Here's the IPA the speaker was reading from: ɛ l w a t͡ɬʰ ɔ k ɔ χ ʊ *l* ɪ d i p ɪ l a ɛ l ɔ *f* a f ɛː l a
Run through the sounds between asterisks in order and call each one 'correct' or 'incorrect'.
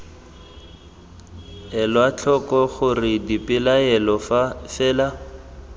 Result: incorrect: r, correct

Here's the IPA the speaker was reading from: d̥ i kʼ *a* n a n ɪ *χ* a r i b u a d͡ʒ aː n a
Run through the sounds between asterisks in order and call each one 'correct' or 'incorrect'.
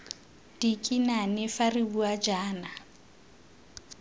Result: incorrect: i, incorrect: f

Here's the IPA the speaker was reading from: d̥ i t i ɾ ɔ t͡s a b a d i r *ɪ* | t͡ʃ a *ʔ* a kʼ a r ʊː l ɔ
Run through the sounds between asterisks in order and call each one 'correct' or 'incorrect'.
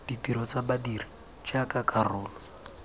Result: incorrect: i, incorrect: k

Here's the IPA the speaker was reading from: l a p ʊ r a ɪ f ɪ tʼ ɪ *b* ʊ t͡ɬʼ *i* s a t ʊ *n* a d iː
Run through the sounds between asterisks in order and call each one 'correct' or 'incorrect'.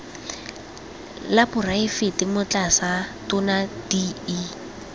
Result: incorrect: m, incorrect: a, correct

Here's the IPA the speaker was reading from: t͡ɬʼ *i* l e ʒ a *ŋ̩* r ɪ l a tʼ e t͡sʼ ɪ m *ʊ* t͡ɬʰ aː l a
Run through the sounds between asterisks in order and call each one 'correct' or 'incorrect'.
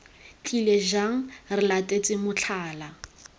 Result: correct, correct, correct

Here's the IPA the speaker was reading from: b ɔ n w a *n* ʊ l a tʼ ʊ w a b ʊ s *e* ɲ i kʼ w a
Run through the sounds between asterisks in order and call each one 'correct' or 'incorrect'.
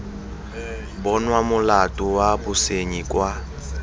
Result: incorrect: m, correct

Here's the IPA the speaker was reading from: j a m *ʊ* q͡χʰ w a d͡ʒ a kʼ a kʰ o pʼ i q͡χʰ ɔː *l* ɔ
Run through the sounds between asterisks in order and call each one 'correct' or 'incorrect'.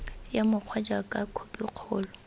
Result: correct, correct

